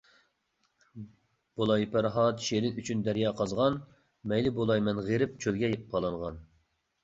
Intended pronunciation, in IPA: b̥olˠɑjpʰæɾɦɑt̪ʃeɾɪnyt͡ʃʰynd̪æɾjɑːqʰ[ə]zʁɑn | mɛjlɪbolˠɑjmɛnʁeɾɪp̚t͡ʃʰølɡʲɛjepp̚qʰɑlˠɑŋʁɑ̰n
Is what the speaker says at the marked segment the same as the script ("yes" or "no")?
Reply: no